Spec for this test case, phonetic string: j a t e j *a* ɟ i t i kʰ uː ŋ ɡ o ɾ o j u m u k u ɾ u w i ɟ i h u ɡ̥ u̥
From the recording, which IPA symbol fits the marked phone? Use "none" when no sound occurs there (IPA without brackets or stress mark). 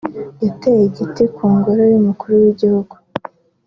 e